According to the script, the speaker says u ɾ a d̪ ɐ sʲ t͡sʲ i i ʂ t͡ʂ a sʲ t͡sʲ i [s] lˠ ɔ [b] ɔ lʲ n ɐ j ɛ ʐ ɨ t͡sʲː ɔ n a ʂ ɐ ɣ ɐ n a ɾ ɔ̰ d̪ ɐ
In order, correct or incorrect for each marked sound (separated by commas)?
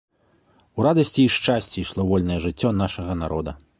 incorrect, incorrect